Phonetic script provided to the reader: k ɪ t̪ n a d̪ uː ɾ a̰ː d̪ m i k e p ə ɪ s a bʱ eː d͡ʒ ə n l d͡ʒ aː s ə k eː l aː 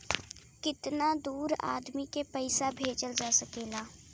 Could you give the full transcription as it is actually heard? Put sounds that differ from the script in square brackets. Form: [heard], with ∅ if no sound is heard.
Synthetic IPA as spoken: k ɪ t̪ n a d̪ uː ɾ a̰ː d̪ m i k e p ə ɪ s a bʱ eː d͡ʒ ə [∅] l d͡ʒ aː s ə k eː l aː

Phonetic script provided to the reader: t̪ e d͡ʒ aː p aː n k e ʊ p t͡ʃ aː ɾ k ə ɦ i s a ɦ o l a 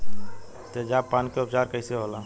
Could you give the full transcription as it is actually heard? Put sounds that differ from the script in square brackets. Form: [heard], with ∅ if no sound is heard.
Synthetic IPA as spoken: t̪ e d͡ʒ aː p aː n k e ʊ p t͡ʃ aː ɾ k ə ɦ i s [e] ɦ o l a

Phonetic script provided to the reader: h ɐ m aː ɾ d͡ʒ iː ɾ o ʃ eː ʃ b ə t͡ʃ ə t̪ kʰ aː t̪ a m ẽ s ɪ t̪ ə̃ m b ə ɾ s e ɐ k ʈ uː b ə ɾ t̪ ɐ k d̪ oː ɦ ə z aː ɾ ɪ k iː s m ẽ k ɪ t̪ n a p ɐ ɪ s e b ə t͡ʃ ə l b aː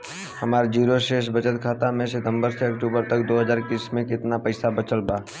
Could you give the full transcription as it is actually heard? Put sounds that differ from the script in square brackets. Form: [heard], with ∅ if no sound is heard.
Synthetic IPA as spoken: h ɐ m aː ɾ d͡ʒ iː ɾ o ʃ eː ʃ b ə t͡ʃ ə t̪ kʰ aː t̪ a m ẽ s ɪ t̪ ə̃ m b ə ɾ s e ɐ k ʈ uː b ə ɾ t̪ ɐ k d̪ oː ɦ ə z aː ɾ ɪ k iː s m ẽ k ɪ t̪ n a p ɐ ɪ s [a] b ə t͡ʃ ə l b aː

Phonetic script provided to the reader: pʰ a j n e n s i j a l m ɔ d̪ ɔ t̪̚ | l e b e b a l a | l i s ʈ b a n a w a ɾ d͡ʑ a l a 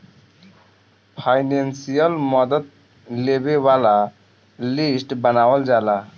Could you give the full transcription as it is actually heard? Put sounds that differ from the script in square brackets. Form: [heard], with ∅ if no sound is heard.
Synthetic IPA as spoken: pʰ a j n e n s i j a l m ɔ d̪ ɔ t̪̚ | l e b e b a l a | l i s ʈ b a n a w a [l] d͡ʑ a l a

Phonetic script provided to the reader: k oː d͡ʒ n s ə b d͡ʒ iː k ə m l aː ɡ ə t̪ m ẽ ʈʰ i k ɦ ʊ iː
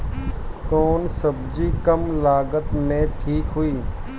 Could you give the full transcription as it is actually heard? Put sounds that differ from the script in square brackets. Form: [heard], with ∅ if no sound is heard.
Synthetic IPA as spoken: k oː [∅] n s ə b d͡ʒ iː k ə m l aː ɡ ə t̪ m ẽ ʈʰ [iː] k ɦ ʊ iː

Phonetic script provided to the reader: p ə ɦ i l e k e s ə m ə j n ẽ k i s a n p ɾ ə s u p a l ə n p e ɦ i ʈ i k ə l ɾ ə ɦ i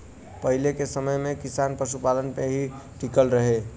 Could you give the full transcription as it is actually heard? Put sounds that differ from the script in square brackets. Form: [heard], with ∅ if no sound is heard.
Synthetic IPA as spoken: p ə ɦ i l e k e s ə m ə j [m] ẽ k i s a n p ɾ ə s u p a l ə n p e ɦ i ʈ i k ə l ɾ ə ɦ [e]

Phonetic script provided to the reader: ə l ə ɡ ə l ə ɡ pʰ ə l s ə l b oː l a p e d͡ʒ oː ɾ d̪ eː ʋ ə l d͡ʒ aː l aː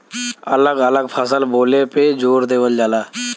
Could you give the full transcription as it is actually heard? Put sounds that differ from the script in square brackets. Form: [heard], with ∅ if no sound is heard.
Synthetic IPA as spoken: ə l ə ɡ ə l ə ɡ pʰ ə [∅] s ə l b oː l [e] p e d͡ʒ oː ɾ d̪ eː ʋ ə l d͡ʒ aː l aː

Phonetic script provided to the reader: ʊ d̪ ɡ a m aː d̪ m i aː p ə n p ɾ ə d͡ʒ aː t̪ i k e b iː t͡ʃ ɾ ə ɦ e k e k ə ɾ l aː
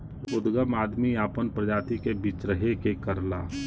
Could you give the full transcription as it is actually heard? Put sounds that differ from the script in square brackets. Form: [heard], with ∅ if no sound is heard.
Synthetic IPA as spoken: ʊ d̪ ɡ [ə] m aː d̪ m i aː p ə n p ɾ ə d͡ʒ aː t̪ i k e b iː t͡ʃ ɾ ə ɦ e k e k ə ɾ l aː

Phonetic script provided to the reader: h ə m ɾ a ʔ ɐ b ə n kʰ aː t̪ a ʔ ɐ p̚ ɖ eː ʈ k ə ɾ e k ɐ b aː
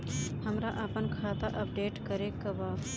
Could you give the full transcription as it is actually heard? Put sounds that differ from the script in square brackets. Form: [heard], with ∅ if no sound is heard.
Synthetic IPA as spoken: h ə m ɾ a ʔ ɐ [p] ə n kʰ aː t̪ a ʔ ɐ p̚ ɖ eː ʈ k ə ɾ e k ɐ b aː

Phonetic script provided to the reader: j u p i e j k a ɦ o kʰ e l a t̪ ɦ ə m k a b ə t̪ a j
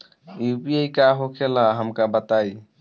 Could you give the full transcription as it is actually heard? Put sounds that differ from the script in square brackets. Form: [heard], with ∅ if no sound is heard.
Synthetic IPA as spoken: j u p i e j k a ɦ o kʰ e l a [∅] ɦ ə m k a b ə t̪ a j

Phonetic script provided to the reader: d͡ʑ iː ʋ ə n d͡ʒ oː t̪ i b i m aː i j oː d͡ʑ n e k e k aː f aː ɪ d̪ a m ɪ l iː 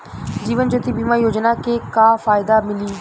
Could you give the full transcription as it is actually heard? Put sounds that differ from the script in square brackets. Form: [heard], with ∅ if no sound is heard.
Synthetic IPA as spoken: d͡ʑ iː ʋ ə n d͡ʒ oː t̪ i b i m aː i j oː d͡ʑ n [a] k e k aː f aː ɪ d̪ a m ɪ l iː

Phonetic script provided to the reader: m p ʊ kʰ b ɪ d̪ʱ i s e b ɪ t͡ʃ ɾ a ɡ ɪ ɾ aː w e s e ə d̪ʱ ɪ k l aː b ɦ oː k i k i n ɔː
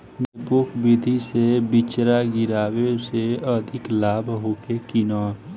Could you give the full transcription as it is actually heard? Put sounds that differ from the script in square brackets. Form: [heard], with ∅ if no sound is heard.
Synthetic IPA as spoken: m p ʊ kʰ b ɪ d̪ʱ i s e b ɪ t͡ʃ ɾ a ɡ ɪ ɾ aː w e s e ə d̪ʱ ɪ k l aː b ɦ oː k [e] k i n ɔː

